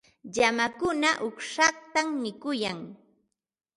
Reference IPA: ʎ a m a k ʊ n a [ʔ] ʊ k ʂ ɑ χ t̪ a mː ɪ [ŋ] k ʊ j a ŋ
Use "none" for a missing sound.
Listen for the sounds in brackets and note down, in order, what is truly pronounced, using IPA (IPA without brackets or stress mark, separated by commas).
ʔ, none